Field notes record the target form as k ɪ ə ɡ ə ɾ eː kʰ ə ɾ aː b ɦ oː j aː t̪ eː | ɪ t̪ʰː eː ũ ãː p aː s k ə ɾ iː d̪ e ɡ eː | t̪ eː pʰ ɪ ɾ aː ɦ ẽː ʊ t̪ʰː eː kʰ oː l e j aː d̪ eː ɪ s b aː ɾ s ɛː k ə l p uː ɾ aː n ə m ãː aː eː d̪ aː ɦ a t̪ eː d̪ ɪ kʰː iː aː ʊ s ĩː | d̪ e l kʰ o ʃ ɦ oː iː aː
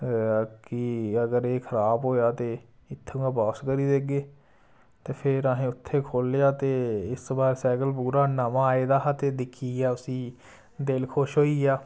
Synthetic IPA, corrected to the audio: k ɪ ə ɡ ə ɾ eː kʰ ə ɾ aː b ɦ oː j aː t̪ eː | ɪ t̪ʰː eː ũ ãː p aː s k ə ɾ iː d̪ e ɡ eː | t̪ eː pʰ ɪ ɾ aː ɦ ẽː ʊ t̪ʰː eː kʰ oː l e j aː t̪ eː ɪ s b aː ɾ s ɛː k ə l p uː ɾ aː n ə m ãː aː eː d̪ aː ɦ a t̪ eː d̪ ɪ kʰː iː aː ʊ s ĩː | d̪ e l kʰ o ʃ ɦ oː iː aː